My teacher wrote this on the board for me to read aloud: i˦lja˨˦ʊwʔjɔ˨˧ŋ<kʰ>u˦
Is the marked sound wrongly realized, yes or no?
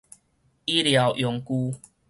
yes